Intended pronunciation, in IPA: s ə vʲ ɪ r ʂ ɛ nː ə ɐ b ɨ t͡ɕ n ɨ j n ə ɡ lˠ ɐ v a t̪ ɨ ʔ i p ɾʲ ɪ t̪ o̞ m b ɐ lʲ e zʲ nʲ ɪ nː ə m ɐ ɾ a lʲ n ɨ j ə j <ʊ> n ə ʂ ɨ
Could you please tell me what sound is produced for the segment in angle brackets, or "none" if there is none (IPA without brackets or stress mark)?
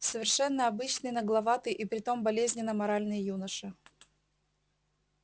u